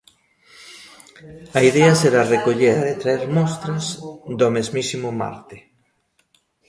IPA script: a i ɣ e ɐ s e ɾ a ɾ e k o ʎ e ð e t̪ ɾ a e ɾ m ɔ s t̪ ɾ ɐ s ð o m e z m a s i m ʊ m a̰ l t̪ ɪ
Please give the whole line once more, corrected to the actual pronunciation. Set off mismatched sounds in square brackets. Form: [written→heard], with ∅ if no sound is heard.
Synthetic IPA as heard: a i [ɣ→ð] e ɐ s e ɾ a [ɾ→r] e k o ʎ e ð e t̪ ɾ a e ɾ m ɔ s t̪ ɾ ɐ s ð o m e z m [a→i] s i m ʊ m a̰ [l→ɾ] t̪ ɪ